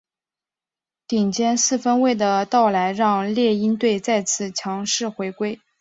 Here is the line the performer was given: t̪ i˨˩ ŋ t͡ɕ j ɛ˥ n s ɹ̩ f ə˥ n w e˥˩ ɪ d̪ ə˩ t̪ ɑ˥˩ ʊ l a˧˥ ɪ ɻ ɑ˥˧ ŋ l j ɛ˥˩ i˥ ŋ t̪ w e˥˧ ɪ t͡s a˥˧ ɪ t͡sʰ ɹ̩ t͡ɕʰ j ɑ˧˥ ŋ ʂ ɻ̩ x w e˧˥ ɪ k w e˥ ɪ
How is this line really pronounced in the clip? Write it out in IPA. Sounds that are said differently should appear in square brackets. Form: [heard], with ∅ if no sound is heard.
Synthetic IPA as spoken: t̪ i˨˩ ŋ t͡ɕ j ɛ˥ n s ɹ̩ f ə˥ n w e˥˩ ɪ d̪ ə˩ t̪ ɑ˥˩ ʊ l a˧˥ ɪ ɻ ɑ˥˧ ŋ l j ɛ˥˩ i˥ [n] t̪ w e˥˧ ɪ t͡s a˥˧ ɪ t͡sʰ ɹ̩ t͡ɕʰ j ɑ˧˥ ŋ ʂ ɻ̩ x w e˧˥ ɪ k w e˥ ɪ